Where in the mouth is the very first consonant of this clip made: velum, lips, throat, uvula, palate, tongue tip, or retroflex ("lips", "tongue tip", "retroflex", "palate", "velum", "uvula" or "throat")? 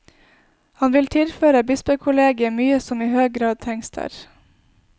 throat